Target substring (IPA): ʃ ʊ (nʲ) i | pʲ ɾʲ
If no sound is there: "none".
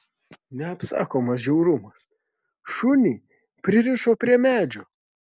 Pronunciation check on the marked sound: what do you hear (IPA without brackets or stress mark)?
nʲ